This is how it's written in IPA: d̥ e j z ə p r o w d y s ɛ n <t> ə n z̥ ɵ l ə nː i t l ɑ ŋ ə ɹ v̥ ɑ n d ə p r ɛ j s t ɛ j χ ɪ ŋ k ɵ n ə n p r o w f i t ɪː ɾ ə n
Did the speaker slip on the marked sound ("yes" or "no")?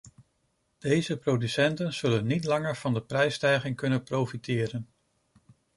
no